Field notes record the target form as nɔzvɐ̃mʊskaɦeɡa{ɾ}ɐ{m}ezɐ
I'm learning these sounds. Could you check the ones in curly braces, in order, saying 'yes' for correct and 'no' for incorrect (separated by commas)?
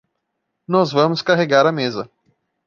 yes, yes